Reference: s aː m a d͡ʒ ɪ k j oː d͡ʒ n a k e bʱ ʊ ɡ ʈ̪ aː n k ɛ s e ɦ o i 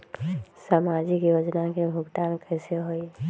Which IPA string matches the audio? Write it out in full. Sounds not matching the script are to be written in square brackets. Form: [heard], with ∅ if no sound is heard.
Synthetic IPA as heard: s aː m a d͡ʒ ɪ k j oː d͡ʒ n a k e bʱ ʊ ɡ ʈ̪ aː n k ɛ s e ɦ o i